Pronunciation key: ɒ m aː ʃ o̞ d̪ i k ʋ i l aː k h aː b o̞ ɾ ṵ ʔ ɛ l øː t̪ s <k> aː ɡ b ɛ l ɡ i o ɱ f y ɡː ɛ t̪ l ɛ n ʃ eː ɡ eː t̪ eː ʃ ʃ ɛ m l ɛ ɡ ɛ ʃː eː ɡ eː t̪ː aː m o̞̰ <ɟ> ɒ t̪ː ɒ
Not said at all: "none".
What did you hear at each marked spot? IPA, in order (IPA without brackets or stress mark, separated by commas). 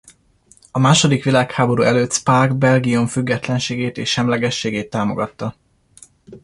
p, ɡ